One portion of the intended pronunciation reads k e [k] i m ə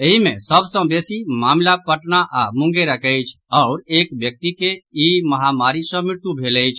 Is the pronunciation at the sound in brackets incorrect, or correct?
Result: incorrect: none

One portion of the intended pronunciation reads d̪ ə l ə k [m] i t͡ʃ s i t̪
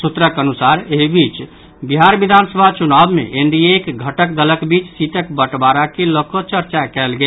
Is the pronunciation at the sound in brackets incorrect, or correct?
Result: incorrect: b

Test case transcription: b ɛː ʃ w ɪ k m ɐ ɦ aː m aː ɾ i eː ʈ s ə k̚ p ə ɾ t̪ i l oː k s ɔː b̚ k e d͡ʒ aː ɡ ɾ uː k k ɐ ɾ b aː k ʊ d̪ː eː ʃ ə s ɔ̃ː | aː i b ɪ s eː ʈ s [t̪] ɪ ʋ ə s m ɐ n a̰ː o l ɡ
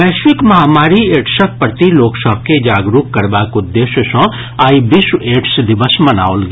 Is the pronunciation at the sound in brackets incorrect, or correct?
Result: incorrect: d̪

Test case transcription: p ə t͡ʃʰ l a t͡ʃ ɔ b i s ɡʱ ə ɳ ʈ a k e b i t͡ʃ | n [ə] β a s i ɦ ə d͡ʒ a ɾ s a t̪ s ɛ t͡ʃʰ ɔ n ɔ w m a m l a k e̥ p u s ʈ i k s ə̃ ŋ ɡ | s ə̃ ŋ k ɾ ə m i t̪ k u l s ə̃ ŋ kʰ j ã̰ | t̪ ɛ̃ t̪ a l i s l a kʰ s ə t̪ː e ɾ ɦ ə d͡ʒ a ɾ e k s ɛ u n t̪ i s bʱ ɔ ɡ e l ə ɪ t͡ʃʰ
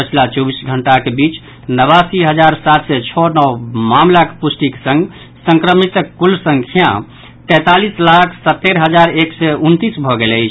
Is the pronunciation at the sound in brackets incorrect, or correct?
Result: correct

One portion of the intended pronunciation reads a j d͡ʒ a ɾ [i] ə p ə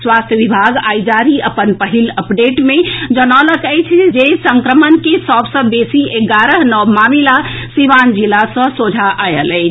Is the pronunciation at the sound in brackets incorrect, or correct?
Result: correct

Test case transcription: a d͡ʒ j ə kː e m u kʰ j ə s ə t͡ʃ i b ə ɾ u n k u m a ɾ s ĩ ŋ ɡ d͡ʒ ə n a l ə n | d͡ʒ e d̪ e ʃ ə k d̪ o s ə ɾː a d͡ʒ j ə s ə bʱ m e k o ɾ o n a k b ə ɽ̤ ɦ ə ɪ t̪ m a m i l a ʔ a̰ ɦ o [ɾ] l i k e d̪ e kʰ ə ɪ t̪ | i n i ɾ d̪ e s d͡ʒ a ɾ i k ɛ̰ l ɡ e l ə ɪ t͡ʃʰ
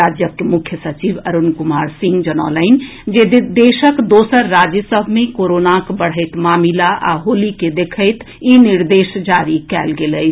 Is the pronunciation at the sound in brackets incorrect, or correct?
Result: incorrect: none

